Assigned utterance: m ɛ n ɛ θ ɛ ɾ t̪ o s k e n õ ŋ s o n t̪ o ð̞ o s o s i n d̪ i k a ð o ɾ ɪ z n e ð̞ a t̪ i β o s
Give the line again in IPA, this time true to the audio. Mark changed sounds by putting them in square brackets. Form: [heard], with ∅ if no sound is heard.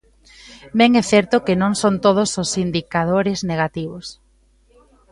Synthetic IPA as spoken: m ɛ [ŋ] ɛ θ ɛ ɾ t̪ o [∅] k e n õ ŋ s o n t̪ o ð̞ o s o s i n d̪ i k a ð o ɾ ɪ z n e [ɣ̞] a t̪ i β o s